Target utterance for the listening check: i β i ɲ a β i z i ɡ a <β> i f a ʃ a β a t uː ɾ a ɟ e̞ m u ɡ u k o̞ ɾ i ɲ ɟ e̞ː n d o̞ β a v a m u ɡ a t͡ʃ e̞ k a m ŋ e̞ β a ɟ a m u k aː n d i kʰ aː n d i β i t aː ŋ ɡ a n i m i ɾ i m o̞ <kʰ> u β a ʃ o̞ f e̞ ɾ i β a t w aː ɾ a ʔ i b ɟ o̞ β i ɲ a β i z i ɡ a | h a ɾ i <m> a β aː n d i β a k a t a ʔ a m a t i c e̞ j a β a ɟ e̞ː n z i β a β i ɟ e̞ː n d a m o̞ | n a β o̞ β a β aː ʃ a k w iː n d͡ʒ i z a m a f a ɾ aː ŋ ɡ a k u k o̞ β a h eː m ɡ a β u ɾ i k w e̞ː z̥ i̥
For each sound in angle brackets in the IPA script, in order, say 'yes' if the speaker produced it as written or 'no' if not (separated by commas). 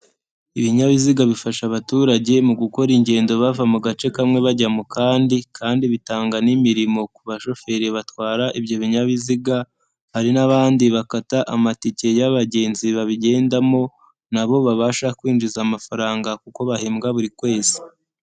yes, no, no